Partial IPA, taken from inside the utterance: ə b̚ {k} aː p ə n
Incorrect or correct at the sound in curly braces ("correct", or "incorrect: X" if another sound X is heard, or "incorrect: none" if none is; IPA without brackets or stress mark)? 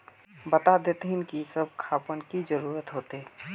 incorrect: kʰ